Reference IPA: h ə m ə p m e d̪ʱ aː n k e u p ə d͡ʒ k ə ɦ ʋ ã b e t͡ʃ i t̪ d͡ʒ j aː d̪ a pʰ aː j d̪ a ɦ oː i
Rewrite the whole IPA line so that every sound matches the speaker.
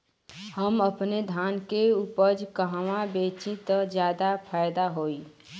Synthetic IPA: h ə m ə p n e d̪ʱ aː n k e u p ə d͡ʒ k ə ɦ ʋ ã b e t͡ʃ i t̪ d͡ʒ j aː d̪ a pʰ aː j d̪ a ɦ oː i